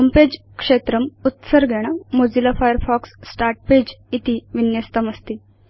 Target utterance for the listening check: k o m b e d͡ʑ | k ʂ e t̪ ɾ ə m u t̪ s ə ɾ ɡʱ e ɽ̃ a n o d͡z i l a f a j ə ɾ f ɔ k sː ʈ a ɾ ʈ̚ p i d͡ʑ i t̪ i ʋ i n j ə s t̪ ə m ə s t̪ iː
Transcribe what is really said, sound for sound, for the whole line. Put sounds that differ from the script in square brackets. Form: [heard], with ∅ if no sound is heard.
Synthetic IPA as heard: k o m [p] e d͡ʑ | k ʂ e t̪ ɾ ə m u t̪ s ə ɾ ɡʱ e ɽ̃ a [m] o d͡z i l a f a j ə ɾ f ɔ k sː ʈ a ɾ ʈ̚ p [e] d͡ʑ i t̪ i ʋ i n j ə s t̪ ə m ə s t̪ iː